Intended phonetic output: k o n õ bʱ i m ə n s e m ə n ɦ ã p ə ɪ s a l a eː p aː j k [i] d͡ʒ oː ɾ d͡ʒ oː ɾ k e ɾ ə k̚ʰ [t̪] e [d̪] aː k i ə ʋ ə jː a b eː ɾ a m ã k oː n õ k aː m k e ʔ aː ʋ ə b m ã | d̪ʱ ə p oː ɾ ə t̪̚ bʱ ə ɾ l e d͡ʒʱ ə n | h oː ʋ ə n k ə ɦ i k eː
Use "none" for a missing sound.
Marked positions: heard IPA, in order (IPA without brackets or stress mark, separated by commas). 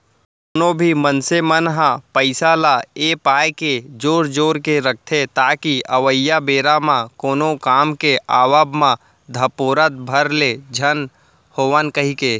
e, t̪ʰ, t̪